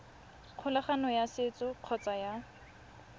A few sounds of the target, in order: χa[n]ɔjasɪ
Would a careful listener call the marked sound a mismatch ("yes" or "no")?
no